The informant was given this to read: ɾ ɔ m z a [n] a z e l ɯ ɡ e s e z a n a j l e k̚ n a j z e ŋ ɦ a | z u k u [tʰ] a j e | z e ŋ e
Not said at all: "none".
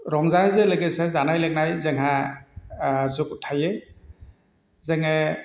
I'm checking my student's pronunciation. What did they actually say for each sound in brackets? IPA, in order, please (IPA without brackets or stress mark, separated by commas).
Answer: n, tʰ